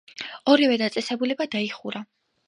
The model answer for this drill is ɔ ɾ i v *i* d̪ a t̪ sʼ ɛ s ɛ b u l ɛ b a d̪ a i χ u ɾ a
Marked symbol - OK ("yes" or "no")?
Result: no